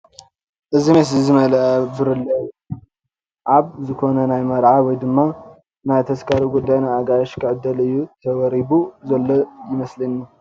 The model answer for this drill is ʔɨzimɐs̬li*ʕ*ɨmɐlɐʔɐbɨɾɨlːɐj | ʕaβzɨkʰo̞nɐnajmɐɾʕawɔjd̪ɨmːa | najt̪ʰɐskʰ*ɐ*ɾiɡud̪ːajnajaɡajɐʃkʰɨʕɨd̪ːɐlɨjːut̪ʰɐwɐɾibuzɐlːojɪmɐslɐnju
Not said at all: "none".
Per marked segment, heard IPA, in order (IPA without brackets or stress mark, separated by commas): z, a